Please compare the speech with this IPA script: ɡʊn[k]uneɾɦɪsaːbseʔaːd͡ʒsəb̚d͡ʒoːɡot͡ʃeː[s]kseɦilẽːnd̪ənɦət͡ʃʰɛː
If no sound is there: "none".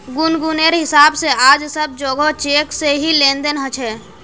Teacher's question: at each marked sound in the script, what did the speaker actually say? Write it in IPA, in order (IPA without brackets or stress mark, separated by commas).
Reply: ɡ, none